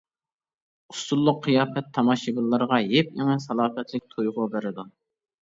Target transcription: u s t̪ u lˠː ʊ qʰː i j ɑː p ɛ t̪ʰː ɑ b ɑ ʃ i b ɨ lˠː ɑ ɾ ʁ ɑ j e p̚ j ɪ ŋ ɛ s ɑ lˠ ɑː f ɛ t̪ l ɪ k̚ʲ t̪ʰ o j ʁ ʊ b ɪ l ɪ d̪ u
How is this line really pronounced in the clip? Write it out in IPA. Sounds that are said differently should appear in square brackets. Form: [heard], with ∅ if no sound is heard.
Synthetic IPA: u s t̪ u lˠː ʊ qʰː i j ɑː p ɛ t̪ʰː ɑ [m] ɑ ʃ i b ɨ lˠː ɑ ɾ ʁ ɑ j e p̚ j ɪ ŋ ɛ s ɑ lˠ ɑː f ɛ t̪ l ɪ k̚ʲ t̪ʰ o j ʁ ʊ b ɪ [ɾ] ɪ d̪ u